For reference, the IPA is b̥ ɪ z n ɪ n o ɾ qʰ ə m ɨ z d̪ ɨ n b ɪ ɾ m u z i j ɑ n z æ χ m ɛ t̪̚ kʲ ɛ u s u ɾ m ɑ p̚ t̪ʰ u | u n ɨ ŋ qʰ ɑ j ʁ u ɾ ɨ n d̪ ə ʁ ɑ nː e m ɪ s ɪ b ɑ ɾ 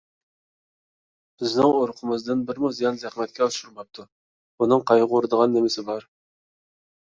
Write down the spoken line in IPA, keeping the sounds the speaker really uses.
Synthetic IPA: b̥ ɪ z n ɪ ŋ o ɾ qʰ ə m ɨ z d̪ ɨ n b ɪ ɾ m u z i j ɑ n z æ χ m ɛ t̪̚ kʲ ɛ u ʃ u ɾ m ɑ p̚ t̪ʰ u | u n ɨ ŋ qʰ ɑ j ʁ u ɾ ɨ d̪ ə ʁ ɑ nː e m ɪ s ɪ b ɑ ɾ